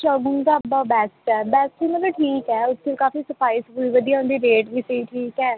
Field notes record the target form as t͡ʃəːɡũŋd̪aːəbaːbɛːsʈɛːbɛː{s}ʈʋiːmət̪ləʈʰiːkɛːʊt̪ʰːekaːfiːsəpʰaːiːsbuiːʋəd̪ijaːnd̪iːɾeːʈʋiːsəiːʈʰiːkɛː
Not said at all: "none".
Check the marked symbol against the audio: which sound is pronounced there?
s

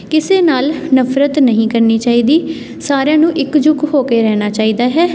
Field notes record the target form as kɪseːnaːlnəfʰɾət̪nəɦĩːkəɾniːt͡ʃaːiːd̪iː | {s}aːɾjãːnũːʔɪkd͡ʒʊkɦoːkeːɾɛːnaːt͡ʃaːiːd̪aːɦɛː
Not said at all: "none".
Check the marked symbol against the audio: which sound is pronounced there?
s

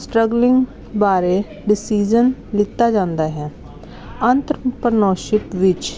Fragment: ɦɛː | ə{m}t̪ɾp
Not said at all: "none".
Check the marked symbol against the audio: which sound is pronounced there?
n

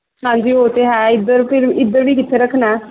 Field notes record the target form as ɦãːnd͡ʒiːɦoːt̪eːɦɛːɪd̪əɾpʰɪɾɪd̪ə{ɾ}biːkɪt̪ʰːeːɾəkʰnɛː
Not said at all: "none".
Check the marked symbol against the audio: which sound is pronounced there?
ɾ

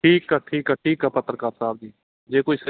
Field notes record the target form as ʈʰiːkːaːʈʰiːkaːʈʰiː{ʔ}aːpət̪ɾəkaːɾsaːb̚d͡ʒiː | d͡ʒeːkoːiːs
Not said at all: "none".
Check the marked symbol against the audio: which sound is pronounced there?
k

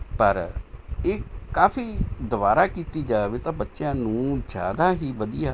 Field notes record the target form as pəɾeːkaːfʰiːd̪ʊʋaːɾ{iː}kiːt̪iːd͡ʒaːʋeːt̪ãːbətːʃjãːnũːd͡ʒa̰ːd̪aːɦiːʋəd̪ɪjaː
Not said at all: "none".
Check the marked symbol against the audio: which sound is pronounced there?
aː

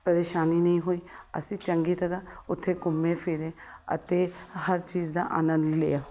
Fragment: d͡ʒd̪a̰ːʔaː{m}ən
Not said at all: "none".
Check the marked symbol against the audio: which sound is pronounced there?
n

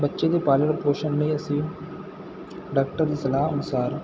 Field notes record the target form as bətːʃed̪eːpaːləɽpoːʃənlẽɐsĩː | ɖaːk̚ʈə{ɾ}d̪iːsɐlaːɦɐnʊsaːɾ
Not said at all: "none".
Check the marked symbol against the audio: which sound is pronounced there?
ɾ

